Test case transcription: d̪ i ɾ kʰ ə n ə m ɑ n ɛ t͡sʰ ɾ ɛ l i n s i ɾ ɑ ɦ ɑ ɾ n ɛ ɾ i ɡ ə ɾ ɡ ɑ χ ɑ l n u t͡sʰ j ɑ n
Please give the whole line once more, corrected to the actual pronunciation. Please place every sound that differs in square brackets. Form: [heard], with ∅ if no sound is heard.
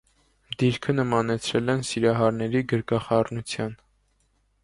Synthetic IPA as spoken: d̪ i ɾ kʰ ə n ə m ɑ n ɛ t͡sʰ ɾ ɛ l [ɛ] n s i ɾ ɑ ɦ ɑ ɾ n ɛ ɾ i ɡ ə ɾ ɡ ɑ χ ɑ [r] n u t͡sʰ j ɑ n

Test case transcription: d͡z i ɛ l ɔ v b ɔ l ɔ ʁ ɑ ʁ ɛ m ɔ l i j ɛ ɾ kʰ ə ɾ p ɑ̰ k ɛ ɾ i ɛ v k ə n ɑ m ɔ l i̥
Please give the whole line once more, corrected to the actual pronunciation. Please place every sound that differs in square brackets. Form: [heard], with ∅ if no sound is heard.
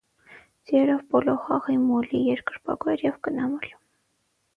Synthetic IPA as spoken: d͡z i ɛ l ɔ v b ɔ l ɔ [χ] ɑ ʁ [i] m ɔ l i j ɛ ɾ [k] ə ɾ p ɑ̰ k ɛ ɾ [j] ɛ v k ə n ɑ m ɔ l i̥

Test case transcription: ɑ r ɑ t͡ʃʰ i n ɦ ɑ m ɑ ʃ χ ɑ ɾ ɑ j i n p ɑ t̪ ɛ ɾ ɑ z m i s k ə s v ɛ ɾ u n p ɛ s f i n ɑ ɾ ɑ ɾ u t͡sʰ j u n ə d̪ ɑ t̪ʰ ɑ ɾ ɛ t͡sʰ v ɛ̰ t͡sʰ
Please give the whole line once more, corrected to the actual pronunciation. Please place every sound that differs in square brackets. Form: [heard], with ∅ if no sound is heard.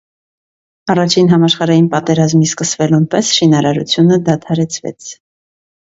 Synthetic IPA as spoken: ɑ r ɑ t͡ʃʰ i n ɦ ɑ m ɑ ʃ χ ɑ ɾ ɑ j i n p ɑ t̪ ɛ ɾ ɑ z m i s k ə s v ɛ [l] u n p ɛ s [ʃ] i n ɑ ɾ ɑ ɾ u t͡sʰ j u n ə d̪ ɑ t̪ʰ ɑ ɾ ɛ t͡sʰ v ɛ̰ t͡sʰ

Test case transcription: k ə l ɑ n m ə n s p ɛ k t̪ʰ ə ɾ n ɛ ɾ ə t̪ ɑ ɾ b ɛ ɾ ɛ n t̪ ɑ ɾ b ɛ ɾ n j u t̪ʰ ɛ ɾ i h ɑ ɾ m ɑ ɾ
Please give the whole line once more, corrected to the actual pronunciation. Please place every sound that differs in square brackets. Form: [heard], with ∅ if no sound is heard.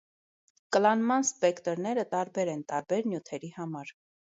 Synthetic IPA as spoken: k ə l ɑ n m [ɑ] n s p ɛ k [t̪] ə ɾ n ɛ ɾ ə t̪ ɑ ɾ b ɛ ɾ ɛ n t̪ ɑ ɾ b ɛ ɾ n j u t̪ʰ ɛ ɾ i h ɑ [∅] m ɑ ɾ

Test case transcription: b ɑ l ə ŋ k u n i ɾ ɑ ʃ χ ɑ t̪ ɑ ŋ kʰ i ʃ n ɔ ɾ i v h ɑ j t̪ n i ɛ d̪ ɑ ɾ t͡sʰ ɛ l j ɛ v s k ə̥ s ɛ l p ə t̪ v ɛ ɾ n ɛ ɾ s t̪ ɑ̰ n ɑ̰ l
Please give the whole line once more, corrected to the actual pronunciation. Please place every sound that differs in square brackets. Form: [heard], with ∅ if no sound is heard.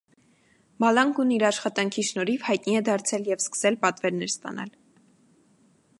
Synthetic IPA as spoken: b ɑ l [ɑ] ŋ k u n i ɾ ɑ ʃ χ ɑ t̪ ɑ ŋ kʰ i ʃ n ɔ ɾ i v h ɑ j t̪ n i ɛ d̪ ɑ ɾ t͡sʰ ɛ l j ɛ v s k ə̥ s ɛ l p [ɑ] t̪ v ɛ ɾ n ɛ ɾ s t̪ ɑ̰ n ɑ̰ l

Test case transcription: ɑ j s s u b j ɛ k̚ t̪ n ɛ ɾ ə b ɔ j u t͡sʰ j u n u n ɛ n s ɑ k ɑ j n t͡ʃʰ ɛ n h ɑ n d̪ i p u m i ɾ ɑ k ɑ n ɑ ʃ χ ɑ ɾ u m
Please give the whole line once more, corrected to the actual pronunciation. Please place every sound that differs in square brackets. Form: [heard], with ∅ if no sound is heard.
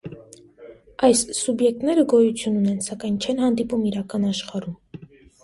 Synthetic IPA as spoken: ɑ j s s u b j ɛ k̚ t̪ n ɛ ɾ ə [ɡ] ɔ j u t͡sʰ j u n u n ɛ n s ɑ k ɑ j n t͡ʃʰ ɛ n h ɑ n d̪ i p u m i ɾ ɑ k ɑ n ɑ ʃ χ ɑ ɾ u m

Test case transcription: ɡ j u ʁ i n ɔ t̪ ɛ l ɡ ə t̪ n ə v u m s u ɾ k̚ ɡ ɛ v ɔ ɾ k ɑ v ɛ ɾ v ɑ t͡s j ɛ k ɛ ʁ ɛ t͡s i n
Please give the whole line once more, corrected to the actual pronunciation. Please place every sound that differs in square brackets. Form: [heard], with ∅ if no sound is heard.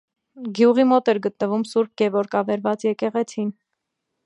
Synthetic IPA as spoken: ɡ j u ʁ i [m] ɔ t̪ ɛ [ɾ] ɡ ə t̪ n ə v u m s u ɾ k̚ ɡ ɛ v ɔ ɾ k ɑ v ɛ ɾ v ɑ t͡s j ɛ k ɛ ʁ ɛ [t͡sʰ] i n

